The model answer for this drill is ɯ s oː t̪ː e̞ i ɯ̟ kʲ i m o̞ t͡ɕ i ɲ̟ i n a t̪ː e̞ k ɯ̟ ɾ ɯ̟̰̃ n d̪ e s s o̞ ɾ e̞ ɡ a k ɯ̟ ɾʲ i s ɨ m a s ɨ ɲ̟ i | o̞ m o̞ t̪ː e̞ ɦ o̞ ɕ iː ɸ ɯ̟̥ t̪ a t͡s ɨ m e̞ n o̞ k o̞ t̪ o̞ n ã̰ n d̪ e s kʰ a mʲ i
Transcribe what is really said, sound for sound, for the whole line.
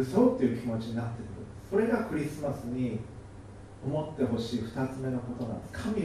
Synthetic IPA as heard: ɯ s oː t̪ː e̞ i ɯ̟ kʲ i m o̞ t͡ɕ i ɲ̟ i n a t̪ː e̞ k ɯ̟ ɾ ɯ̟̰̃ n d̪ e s s o̞ ɾ e̞ ɡ a k ɯ̟ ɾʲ i s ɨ m a s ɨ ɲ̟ i | o̞ m o̞ t̪ː e̞ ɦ o̞ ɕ iː ɸ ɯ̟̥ t̪ a t͡s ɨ m e̞ n o̞ k o̞ t̪ o̞ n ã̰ n d̪ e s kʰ a mʲ i